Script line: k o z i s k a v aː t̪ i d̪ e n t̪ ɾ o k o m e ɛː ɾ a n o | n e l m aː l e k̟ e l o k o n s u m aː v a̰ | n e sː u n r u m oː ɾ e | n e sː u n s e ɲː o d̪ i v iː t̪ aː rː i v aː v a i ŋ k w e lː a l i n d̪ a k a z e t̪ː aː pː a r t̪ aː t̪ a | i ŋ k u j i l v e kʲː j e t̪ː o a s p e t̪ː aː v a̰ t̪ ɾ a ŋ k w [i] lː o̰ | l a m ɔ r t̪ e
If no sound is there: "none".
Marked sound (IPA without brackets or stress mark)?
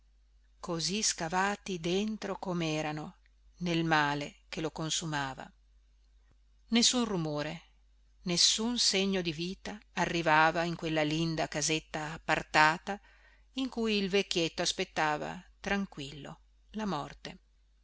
i